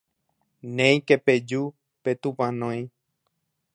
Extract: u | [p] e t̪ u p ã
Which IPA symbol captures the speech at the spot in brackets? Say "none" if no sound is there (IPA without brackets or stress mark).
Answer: p